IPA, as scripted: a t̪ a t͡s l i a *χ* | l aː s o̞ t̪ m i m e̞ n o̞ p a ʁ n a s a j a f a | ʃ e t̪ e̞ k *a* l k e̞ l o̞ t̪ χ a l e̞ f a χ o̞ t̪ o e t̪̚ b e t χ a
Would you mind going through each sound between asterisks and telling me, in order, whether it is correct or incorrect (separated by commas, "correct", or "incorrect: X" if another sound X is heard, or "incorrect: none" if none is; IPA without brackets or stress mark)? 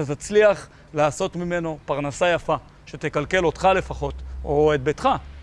correct, correct